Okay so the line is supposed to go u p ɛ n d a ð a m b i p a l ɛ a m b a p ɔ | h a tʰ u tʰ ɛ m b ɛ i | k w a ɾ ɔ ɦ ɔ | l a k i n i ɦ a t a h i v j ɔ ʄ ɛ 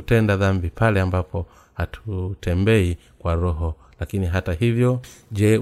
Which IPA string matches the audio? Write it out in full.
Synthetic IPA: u t ɛ n d a ð a m b i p a l ɛ a m b a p ɔ | h a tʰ u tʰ ɛ m b ɛ i | k w a ɾ ɔ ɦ ɔ | l a k i n i ɦ a t a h i v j ɔ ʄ ɛ